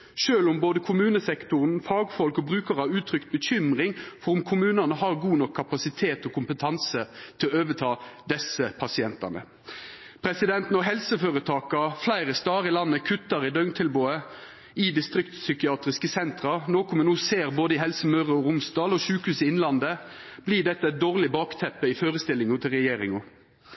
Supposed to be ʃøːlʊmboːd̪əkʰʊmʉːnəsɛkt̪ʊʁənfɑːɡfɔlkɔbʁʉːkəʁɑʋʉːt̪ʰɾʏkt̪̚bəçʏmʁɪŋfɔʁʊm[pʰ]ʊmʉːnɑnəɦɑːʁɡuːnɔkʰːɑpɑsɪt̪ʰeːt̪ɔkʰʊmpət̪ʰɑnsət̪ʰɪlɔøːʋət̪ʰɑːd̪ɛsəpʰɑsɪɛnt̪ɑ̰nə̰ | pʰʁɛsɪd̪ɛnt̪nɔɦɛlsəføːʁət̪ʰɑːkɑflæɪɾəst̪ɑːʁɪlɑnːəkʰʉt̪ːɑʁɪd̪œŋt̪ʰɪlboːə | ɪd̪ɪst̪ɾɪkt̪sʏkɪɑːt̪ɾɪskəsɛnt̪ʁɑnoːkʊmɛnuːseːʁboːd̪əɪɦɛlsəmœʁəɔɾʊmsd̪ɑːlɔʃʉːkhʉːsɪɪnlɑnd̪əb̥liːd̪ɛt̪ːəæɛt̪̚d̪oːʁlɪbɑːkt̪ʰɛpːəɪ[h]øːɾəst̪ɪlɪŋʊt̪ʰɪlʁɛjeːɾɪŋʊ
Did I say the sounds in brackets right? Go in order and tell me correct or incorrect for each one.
incorrect: kʰ, incorrect: f

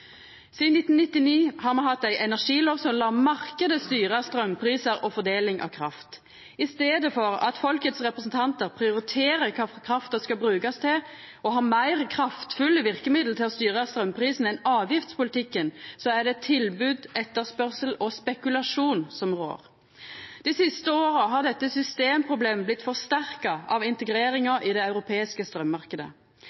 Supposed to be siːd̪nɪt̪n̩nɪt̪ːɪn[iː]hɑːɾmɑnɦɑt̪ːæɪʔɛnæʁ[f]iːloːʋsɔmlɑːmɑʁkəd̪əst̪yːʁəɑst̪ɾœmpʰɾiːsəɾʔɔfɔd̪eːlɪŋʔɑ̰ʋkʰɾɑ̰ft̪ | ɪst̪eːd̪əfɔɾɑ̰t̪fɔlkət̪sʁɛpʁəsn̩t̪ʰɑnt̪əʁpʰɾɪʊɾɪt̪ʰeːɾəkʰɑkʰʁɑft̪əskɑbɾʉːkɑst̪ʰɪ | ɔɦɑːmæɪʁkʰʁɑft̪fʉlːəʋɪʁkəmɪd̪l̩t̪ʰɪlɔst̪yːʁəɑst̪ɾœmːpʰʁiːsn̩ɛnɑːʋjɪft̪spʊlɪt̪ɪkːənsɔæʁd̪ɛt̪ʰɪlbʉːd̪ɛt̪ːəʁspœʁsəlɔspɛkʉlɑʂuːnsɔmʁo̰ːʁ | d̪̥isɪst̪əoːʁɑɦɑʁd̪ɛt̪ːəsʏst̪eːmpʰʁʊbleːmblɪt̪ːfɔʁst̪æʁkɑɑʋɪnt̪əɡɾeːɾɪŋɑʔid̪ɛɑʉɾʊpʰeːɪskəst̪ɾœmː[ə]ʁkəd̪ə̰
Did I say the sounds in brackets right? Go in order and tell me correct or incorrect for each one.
correct, incorrect: ʂ, incorrect: ɑ

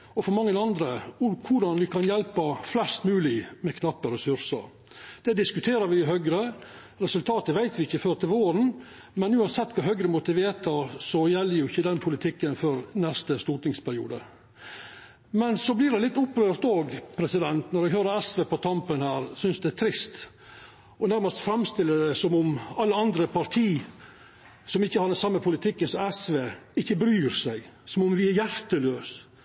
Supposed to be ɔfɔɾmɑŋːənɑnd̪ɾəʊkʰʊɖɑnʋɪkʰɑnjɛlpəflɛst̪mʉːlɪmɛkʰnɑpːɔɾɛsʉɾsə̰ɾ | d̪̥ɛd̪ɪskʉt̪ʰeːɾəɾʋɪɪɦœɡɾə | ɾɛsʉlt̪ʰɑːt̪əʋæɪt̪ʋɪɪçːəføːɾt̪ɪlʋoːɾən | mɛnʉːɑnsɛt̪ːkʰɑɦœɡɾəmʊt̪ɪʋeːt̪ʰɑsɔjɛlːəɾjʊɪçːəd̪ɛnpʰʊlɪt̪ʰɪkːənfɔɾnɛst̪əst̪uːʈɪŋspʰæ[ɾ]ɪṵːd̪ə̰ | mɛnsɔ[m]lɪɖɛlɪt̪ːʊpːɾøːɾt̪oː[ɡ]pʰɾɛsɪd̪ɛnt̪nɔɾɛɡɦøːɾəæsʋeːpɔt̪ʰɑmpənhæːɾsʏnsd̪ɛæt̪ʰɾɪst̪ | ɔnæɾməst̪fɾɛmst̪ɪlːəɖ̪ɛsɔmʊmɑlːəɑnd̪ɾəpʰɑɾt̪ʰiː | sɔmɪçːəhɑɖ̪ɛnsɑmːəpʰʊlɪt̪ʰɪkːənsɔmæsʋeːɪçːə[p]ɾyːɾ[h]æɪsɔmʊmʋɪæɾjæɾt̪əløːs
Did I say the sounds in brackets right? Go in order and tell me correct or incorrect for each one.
correct, incorrect: b, correct, incorrect: b, incorrect: s

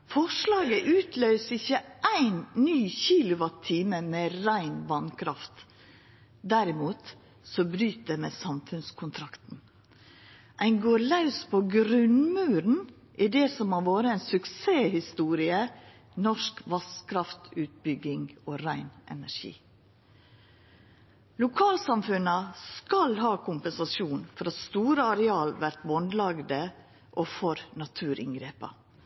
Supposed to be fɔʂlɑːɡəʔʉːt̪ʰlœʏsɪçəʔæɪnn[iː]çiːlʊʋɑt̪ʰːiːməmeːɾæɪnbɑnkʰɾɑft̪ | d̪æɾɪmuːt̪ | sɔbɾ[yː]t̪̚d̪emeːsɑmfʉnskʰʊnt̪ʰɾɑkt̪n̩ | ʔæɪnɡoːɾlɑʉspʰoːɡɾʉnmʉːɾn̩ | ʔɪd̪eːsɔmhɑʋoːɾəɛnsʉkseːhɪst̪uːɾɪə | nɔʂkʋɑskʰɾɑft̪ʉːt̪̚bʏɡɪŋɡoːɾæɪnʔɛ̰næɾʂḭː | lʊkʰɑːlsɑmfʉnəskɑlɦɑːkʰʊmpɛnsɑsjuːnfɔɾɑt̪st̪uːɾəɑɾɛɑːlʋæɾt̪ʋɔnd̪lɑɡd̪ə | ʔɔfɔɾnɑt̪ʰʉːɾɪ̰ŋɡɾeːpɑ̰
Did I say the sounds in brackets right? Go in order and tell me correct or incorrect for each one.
incorrect: yː, correct

